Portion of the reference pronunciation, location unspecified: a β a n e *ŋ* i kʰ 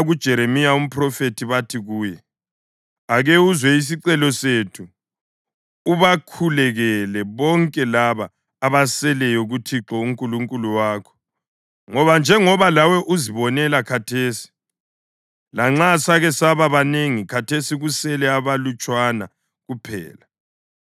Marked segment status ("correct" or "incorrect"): correct